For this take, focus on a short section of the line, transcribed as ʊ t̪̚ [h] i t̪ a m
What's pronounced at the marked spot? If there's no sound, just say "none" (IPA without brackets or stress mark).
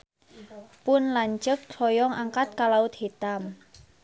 h